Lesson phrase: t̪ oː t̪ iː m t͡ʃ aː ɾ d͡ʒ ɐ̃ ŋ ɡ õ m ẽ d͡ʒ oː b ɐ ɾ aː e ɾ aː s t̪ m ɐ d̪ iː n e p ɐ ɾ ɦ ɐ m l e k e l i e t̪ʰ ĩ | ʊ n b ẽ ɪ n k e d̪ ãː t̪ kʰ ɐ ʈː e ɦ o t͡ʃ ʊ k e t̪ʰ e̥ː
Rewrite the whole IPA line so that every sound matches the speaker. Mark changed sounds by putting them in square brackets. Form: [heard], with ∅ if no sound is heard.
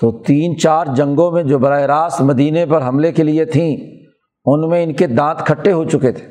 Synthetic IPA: t̪ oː t̪ iː [n] t͡ʃ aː ɾ d͡ʒ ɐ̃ ŋ ɡ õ m ẽ d͡ʒ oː b ɐ ɾ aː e ɾ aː s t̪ m ɐ d̪ iː n e p ɐ ɾ ɦ ɐ m l e k e l i e t̪ʰ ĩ | ʊ n [m] ẽ ɪ n k e d̪ ãː t̪ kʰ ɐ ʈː e ɦ o t͡ʃ ʊ k e t̪ʰ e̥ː